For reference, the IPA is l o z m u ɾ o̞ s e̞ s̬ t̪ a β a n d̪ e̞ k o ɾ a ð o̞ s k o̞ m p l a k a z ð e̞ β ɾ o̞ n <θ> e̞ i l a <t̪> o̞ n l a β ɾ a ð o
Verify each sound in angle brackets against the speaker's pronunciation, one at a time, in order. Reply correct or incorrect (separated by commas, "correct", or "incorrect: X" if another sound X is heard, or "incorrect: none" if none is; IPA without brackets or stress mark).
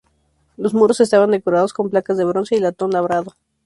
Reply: incorrect: s, correct